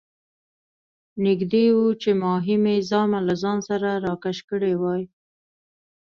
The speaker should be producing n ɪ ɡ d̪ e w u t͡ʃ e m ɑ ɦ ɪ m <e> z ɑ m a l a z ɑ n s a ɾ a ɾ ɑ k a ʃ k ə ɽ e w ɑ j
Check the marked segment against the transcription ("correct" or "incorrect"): correct